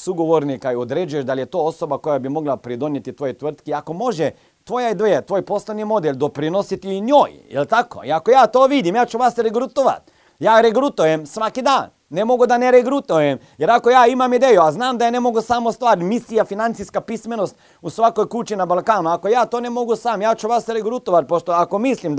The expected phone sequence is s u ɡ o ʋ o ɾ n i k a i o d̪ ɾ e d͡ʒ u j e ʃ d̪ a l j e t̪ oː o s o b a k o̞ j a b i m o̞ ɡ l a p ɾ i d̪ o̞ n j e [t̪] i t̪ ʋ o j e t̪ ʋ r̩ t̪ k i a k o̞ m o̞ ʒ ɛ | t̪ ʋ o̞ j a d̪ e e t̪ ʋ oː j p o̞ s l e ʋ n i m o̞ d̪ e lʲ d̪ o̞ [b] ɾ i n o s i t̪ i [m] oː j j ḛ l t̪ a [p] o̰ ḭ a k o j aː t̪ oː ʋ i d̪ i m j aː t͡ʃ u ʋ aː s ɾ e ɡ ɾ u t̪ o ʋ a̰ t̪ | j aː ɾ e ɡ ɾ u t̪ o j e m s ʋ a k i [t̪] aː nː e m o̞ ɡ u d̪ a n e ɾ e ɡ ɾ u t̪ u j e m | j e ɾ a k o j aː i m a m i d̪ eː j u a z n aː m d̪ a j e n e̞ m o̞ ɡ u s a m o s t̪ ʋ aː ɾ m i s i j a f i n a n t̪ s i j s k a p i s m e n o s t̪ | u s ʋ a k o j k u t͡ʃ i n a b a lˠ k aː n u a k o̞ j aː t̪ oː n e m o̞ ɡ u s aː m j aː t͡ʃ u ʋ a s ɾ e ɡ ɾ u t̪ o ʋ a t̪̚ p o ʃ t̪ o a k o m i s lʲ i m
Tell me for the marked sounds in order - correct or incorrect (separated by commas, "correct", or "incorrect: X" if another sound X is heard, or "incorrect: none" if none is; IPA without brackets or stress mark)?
correct, incorrect: p, incorrect: ɲ, incorrect: k, incorrect: d̪